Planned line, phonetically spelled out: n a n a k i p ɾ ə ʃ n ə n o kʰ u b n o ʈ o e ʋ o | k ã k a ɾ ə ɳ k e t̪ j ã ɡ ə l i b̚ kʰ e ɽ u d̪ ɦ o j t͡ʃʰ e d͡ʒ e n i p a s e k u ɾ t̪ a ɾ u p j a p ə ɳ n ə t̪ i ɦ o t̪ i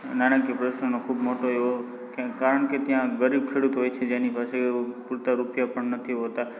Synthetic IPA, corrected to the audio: n a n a k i p ɾ ə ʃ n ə n o kʰ u b m o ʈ o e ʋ o | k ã k a ɾ ə ɳ k e t̪ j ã ɡ ə ɾ i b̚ kʰ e ɽ u t̪ ɦ o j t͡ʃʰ e d͡ʒ e n i p a s e p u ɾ t̪ a ɾ u p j a p ə ɳ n ə t̪ʰ i ɦ o t̪ a